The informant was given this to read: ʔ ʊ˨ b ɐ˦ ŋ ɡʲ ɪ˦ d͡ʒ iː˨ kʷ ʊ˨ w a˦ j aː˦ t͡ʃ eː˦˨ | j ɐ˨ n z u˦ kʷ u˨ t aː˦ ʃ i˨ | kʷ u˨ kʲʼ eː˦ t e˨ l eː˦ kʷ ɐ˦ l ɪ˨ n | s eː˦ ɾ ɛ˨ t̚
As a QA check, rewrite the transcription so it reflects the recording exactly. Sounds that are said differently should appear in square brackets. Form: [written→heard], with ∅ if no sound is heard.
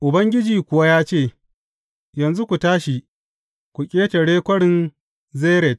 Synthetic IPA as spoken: ʔ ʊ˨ b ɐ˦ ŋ ɡʲ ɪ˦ d͡ʒ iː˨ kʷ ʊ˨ w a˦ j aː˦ t͡ʃ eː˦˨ | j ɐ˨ n z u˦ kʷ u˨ t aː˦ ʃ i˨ | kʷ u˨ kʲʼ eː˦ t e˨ [l→ɽ] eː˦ kʷ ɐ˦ [l→ɽ] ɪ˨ n | [s→z] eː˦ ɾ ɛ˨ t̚